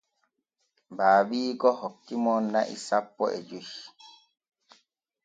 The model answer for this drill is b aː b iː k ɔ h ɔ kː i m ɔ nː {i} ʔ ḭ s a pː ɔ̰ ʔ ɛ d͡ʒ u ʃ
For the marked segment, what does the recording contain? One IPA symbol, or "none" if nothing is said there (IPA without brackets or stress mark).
a